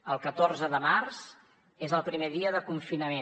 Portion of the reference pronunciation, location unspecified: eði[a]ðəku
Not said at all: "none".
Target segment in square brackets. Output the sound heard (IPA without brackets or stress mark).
ə